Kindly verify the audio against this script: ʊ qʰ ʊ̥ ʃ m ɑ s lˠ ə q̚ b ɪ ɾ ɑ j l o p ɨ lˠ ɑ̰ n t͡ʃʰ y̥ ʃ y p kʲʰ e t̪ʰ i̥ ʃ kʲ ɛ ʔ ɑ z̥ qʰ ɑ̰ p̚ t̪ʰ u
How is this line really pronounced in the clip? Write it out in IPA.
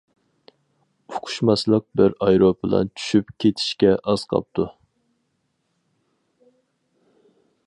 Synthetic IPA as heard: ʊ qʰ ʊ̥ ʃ m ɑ s lˠ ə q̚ b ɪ ɾ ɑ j ɾ o p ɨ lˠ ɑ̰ n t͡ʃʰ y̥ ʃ y p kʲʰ e t̪ʰ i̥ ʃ kʲ ɛ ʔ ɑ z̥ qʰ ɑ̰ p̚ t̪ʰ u